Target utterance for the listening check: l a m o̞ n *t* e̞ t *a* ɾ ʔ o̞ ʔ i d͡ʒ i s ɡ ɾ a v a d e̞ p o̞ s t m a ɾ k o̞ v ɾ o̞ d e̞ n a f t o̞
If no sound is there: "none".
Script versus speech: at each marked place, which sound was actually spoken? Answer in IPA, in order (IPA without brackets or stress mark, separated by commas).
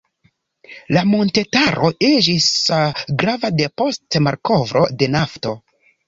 t, a